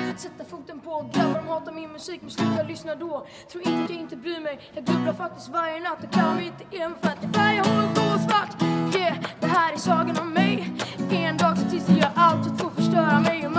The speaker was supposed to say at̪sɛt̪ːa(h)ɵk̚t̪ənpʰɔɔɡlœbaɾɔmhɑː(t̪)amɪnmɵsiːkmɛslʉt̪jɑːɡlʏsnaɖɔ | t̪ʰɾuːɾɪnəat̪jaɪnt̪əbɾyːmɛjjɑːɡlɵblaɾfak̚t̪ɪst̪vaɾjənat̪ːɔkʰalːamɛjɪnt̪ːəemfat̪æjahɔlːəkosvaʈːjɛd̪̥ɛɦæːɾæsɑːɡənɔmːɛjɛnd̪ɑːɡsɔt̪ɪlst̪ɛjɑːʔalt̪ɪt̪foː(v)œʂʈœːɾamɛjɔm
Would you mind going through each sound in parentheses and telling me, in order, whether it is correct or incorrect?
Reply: incorrect, correct, incorrect

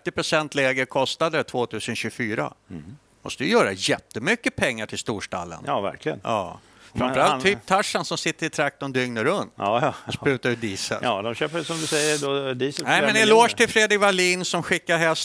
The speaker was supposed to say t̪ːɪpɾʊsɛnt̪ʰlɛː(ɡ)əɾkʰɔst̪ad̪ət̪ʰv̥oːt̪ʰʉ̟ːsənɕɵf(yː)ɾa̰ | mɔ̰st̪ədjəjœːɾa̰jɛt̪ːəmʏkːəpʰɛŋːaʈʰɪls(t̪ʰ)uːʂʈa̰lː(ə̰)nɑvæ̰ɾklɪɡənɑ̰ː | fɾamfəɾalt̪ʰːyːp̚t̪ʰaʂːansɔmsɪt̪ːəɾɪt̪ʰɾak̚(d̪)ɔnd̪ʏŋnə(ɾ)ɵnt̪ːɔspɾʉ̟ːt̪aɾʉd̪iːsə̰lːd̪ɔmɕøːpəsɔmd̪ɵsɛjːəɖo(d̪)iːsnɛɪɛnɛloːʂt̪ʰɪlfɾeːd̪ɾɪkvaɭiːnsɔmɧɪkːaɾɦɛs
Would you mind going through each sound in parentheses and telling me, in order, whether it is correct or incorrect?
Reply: correct, correct, incorrect, correct, incorrect, correct, correct

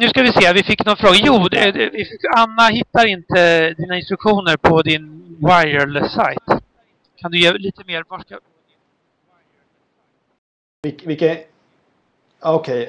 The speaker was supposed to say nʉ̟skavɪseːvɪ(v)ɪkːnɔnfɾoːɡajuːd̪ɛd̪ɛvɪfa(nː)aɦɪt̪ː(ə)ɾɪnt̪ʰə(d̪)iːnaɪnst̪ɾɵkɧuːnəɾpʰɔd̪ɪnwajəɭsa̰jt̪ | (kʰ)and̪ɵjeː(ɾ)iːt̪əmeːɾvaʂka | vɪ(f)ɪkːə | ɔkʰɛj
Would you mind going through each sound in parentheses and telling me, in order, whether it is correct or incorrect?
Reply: incorrect, correct, incorrect, correct, correct, incorrect, incorrect

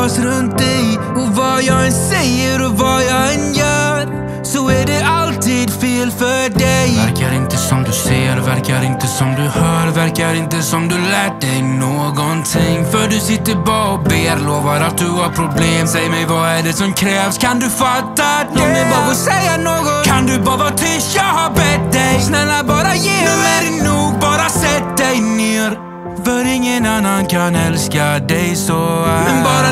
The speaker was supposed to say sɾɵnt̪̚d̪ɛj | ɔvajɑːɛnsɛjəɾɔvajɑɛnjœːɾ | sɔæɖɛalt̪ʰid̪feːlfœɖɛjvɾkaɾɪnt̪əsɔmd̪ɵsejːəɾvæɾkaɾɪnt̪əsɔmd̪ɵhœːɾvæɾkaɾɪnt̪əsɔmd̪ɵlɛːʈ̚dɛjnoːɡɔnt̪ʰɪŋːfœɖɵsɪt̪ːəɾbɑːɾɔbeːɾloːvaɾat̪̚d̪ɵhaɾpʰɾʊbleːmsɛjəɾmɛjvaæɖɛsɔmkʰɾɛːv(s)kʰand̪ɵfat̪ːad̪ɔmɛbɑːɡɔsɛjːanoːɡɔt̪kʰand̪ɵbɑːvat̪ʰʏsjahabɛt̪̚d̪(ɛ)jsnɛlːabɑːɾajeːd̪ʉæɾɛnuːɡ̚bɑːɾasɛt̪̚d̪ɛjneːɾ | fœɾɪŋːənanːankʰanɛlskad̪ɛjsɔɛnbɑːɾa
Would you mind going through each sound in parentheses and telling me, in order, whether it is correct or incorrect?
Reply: correct, correct

